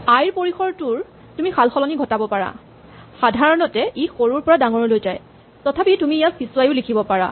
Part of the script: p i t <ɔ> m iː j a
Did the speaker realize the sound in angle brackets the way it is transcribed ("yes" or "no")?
no